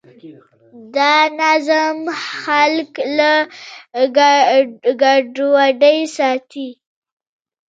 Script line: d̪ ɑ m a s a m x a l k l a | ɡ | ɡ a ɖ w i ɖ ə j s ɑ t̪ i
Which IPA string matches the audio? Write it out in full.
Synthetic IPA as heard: d̪ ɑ n a z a m x a l k l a | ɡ | ɡ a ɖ w a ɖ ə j s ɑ t̪ i